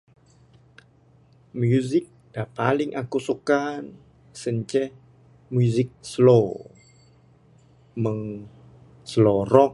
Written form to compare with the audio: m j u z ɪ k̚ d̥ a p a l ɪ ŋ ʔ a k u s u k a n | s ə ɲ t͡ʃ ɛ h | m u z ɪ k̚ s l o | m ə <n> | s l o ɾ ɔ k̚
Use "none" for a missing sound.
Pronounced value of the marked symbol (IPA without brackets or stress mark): ŋ